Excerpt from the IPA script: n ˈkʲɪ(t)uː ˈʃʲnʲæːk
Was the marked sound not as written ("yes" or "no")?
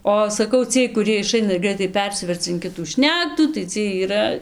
no